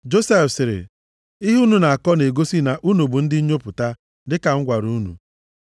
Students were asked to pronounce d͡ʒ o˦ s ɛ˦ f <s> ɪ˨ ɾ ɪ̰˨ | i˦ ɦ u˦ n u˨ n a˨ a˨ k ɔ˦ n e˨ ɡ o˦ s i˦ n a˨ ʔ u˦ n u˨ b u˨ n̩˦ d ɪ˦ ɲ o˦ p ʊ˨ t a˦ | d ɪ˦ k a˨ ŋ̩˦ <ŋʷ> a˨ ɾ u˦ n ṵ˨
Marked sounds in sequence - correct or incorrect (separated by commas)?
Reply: correct, incorrect